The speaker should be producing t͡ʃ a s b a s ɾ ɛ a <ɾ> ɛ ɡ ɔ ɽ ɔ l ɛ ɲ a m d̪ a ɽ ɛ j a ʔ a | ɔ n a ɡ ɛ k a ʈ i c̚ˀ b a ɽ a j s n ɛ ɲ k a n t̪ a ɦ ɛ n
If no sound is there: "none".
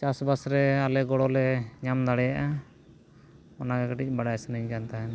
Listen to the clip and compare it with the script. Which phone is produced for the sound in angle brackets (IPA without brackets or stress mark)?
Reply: l